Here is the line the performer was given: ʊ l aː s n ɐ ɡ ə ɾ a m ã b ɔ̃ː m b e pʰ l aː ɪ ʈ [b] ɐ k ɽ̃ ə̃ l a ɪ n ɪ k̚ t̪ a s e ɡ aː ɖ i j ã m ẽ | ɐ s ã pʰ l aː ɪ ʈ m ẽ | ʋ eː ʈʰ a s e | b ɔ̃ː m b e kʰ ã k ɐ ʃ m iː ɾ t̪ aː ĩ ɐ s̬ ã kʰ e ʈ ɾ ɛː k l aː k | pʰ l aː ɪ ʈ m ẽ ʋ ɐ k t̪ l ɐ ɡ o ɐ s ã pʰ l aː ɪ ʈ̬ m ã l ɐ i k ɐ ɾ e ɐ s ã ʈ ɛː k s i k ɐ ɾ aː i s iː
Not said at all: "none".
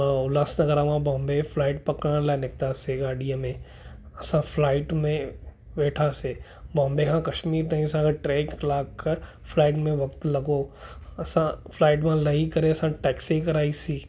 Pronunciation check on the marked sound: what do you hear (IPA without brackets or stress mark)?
p